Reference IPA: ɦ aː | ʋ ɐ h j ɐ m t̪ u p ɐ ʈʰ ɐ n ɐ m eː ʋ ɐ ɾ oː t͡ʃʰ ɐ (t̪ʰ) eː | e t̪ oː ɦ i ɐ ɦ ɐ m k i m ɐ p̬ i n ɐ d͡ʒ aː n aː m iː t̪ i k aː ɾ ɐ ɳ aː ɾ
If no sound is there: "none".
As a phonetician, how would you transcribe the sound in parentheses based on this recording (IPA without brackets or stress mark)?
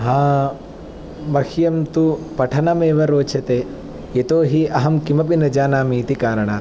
t̪